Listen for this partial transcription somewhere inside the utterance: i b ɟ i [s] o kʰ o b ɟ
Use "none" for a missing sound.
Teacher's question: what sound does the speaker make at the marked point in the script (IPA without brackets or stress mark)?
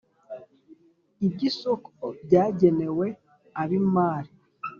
s